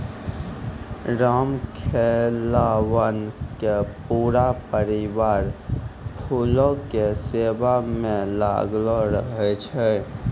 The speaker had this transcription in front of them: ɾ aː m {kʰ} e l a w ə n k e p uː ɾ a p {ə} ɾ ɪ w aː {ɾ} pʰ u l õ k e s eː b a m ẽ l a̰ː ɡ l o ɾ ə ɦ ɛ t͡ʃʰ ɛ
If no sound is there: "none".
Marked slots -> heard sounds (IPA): kʰ, ə, ɾ

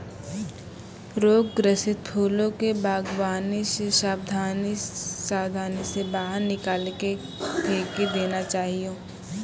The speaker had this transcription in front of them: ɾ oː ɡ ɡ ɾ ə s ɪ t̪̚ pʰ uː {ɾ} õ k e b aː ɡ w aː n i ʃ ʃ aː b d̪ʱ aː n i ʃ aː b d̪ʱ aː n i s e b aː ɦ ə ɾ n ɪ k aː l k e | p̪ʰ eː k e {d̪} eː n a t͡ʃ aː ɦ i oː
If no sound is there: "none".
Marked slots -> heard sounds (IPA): l, d̪

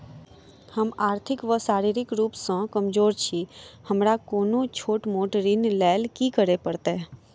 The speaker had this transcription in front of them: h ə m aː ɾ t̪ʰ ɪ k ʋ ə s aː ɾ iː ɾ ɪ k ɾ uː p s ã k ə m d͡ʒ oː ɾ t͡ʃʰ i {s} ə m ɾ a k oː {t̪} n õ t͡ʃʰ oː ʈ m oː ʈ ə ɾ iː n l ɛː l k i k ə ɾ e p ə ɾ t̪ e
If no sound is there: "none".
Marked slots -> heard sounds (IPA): h, none

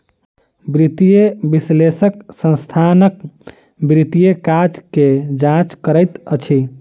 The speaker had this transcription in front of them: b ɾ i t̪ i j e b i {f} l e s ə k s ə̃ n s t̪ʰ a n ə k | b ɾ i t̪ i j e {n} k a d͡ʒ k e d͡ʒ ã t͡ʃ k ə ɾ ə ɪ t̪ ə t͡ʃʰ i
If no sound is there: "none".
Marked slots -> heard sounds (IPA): s, none

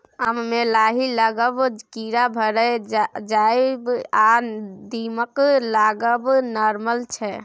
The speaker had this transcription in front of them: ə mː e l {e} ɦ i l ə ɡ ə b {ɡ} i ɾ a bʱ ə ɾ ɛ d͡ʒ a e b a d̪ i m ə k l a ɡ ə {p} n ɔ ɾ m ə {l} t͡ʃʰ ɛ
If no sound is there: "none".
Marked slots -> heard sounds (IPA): a, k, b, l

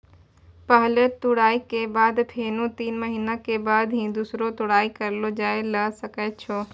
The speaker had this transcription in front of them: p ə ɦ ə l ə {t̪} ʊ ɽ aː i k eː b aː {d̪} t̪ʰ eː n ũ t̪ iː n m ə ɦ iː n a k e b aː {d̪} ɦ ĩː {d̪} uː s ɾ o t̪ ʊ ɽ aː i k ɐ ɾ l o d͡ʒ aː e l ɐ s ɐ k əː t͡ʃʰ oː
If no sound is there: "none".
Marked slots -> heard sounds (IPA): t̪, d̪, d̪, d̪

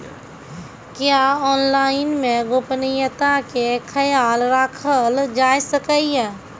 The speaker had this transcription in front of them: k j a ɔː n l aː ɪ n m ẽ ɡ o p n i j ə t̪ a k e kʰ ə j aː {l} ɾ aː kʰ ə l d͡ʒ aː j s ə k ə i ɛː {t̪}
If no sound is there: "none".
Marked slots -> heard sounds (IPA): l, none

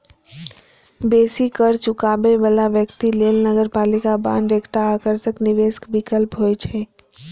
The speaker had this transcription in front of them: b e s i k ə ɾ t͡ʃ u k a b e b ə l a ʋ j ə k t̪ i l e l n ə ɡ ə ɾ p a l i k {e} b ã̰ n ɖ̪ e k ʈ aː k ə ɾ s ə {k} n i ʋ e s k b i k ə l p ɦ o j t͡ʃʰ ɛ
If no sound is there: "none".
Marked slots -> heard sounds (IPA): a, k

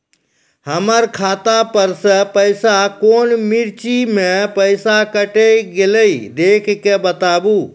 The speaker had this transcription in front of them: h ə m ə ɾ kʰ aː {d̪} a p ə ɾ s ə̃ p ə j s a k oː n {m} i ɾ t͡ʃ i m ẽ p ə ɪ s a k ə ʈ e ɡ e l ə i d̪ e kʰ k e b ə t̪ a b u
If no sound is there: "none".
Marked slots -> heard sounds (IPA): t̪, m

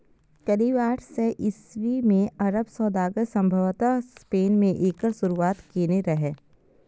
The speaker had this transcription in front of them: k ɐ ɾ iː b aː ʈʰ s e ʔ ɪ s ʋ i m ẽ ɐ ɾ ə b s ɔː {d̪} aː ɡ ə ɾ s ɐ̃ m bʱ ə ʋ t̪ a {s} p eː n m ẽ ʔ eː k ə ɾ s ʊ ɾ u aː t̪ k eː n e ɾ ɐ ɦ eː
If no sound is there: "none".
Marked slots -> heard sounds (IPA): d̪, s

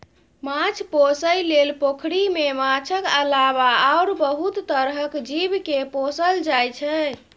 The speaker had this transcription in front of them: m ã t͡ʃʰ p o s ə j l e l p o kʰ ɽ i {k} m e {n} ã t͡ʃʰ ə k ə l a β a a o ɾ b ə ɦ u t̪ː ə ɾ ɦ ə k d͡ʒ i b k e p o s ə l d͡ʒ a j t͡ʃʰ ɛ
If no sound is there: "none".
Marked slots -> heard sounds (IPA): none, m

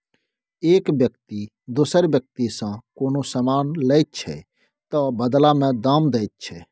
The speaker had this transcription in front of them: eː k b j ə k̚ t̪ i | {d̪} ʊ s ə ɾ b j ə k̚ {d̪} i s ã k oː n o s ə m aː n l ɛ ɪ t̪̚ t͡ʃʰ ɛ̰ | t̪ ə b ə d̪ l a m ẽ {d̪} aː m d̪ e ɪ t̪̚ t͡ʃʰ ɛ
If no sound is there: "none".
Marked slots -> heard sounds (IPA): d̪, t̪, d̪

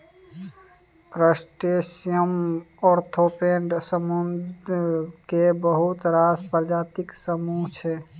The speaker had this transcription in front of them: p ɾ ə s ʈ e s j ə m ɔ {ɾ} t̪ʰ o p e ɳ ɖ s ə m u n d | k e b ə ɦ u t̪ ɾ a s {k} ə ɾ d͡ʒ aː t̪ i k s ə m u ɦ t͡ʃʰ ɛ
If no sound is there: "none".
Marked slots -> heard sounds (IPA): ɾ, p

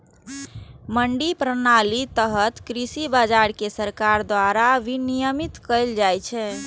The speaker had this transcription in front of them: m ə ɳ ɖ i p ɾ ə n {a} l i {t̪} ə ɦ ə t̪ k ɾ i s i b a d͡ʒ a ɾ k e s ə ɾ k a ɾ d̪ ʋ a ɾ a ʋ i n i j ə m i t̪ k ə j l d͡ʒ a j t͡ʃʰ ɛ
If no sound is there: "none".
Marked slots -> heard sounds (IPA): a, t̪

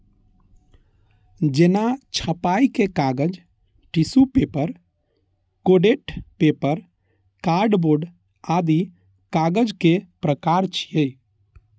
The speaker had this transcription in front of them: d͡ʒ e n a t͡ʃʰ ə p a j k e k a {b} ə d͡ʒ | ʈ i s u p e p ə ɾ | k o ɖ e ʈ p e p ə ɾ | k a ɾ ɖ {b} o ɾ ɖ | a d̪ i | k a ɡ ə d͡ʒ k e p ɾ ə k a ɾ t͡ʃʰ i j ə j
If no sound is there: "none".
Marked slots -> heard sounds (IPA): ɡ, b

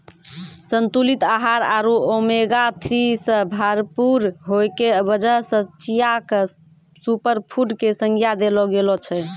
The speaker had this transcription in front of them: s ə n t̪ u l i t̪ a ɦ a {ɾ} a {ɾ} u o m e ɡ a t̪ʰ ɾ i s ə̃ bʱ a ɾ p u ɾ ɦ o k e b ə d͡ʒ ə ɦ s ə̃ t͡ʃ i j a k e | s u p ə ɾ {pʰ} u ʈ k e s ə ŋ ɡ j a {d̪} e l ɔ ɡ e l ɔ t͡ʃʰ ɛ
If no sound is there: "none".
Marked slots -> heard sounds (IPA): ɾ, ɾ, pʰ, d̪

